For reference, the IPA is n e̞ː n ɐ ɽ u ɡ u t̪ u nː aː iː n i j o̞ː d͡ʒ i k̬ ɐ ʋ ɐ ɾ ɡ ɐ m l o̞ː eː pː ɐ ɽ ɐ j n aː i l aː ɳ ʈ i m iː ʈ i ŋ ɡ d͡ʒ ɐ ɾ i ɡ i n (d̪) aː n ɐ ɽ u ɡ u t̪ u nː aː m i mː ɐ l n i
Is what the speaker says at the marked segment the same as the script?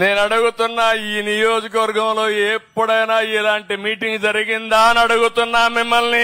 yes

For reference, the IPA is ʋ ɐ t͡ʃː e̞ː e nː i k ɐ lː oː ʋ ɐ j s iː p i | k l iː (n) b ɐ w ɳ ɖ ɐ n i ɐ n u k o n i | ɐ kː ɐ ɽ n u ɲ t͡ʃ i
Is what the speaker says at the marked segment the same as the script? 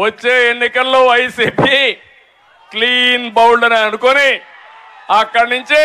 yes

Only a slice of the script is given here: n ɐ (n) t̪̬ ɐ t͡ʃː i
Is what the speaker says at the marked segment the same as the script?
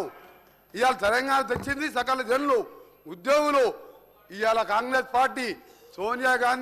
no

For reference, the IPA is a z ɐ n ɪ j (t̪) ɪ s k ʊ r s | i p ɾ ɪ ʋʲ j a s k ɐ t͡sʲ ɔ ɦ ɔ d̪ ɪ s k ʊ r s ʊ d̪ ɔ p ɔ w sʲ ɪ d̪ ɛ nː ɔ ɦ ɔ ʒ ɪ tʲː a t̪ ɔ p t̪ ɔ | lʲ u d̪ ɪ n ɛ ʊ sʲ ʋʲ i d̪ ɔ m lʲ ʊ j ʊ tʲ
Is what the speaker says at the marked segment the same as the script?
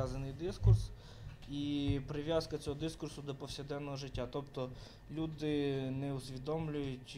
no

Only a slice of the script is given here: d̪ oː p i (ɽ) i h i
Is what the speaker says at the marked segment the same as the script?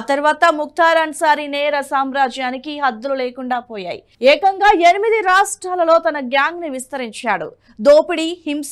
yes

